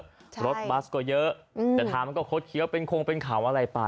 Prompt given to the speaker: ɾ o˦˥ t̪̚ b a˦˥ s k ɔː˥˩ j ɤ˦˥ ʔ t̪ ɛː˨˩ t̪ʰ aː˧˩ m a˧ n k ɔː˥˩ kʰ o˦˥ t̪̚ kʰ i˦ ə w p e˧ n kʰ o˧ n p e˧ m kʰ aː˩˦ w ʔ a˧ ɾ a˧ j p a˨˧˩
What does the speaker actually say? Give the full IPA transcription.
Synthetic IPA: ɾ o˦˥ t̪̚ b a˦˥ s k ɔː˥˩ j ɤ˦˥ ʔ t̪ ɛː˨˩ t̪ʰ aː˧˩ m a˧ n k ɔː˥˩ kʰ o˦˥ t̪̚ kʰ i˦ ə w p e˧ n kʰ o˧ ŋ p e˧ n kʰ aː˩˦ w ʔ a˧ ɾ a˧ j p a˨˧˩